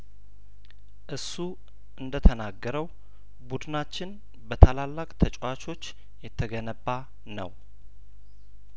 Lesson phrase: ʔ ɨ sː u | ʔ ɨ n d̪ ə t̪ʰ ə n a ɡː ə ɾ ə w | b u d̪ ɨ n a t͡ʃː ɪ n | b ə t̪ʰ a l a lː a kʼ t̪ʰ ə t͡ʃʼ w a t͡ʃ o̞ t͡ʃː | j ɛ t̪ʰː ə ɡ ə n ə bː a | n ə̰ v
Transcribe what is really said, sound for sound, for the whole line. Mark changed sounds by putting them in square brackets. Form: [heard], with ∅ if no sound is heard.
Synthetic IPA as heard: ʔ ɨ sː u | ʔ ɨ n d̪ ə t̪ʰ ə n a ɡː ə ɾ ə w | b u d̪ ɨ n a t͡ʃː ɪ n | b ə t̪ʰ a l a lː a kʼ t̪ʰ ə t͡ʃʼ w a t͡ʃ o̞ t͡ʃː | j ɛ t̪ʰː ə ɡ ə n ə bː a | n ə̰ [w]